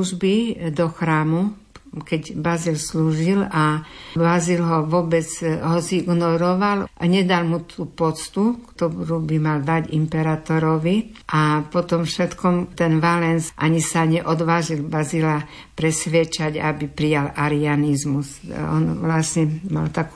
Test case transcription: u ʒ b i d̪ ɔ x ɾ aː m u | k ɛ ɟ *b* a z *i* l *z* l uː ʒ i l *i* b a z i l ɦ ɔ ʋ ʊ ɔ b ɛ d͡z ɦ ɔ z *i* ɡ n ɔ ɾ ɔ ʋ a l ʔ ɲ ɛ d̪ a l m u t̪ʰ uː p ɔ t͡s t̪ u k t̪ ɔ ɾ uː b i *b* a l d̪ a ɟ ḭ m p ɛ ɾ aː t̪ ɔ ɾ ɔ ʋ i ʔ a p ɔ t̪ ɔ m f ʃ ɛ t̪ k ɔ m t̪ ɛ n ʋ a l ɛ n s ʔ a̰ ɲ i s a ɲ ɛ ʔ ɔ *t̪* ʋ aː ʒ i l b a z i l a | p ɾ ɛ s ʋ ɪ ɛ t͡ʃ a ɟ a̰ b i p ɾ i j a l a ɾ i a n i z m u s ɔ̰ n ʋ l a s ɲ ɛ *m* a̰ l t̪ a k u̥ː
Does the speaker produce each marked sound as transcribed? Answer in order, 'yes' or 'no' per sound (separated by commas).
yes, yes, no, no, yes, no, no, yes